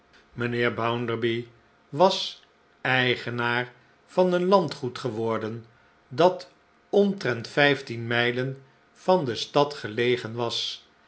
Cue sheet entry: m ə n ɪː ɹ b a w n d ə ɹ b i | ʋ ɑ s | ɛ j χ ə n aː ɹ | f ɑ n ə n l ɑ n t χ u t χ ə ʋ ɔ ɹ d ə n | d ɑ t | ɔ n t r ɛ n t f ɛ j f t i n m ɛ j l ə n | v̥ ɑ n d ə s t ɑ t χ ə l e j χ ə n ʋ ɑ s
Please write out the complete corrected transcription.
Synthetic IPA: m ə n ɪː ɹ b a w n d ə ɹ b i | ʋ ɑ s | ɛ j χ ə n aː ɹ | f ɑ n ə n l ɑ n t χ u t χ ə ʋ ɔ ɹ d ə n | d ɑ t | ɔ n t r ɛ n t f ɛ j f t i n m ɛ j l ə n | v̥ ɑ n d ə s t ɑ t χ ə l e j χ ə n ʋ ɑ s